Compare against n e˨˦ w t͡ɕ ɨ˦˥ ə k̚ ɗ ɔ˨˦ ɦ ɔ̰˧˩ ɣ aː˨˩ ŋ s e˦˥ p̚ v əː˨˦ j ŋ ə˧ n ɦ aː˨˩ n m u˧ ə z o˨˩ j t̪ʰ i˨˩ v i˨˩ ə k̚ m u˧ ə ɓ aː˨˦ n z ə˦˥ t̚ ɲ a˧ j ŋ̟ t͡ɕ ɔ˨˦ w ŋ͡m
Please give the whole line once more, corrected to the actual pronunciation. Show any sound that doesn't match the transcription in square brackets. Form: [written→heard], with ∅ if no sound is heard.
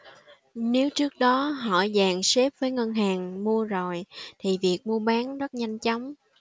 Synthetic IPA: n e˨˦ w t͡ɕ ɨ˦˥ ə k̚ ɗ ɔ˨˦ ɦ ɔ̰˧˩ [ɣ→z] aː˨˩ ŋ s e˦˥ p̚ v əː˨˦ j ŋ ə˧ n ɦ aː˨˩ [n→ŋ] m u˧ ə z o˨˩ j t̪ʰ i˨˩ v i˨˩ ə k̚ m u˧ ə ɓ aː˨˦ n z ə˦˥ t̚ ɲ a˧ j ŋ̟ t͡ɕ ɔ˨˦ w ŋ͡m